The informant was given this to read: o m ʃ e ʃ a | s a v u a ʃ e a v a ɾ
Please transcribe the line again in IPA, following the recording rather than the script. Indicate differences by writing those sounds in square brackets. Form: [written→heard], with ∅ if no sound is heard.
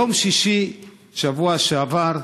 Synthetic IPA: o m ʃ [e→i] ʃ [a→i] | [s→ʃ] a v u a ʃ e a v a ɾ

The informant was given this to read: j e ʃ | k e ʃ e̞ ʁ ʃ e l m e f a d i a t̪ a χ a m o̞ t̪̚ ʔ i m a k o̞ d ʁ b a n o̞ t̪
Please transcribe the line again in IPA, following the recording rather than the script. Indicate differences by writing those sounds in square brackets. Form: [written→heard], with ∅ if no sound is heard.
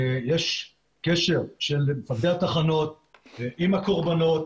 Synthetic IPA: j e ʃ | k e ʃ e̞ ʁ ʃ e l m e f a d [i→e] a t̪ a χ a [m→n] o̞ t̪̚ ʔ i m a k o̞ [d→∅] ʁ b a n o̞ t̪

